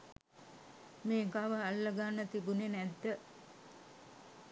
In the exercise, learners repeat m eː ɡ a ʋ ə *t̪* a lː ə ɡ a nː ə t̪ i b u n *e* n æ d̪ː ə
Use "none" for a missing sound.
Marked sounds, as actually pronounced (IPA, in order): none, e

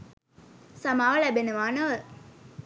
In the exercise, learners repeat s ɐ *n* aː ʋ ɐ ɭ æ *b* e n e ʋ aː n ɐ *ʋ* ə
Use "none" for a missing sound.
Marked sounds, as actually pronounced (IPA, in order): m, b, ʋ

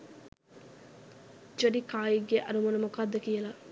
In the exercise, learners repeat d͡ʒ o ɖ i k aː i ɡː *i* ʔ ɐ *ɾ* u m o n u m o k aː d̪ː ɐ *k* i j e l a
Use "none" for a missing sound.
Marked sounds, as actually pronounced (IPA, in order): e, ɾ, k

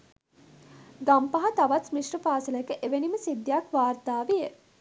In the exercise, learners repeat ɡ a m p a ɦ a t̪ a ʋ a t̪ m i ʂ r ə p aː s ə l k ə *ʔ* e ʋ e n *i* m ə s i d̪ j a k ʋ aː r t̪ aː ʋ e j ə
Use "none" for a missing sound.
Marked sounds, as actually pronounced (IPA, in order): ʔ, i

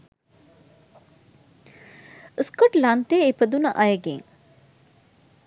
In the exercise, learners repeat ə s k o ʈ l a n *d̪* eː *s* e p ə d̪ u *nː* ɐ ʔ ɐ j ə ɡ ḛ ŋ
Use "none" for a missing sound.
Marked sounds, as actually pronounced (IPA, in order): t̪, none, n

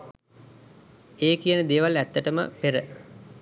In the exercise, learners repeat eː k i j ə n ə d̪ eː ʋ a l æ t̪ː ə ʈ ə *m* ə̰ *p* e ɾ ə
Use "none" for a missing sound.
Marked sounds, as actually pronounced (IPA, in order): m, p

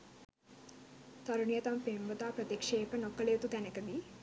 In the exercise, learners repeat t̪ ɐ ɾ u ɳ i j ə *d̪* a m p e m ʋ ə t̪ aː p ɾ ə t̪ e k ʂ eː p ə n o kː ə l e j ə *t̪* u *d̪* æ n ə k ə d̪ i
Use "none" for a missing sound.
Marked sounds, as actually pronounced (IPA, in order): t̪, t̪, t̪

